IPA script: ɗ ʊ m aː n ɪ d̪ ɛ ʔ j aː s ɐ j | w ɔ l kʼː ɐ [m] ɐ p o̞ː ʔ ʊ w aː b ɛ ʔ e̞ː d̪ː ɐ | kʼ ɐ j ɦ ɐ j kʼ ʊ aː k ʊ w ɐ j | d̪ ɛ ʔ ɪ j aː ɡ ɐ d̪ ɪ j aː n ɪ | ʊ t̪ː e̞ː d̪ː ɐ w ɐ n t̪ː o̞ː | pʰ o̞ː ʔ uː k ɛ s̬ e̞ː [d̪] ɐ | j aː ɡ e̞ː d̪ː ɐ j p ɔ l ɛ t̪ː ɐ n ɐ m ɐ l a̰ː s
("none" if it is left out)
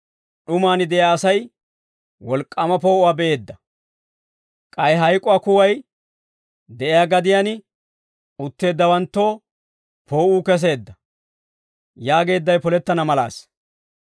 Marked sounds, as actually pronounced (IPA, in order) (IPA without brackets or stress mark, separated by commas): m, d̪ː